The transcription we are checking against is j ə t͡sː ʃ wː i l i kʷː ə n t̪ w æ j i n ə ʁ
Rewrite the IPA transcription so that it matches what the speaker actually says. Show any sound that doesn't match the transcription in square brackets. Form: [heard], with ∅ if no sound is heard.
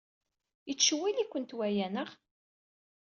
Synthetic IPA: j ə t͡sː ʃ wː i l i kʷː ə n t̪ w æ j [æ] n ə ʁ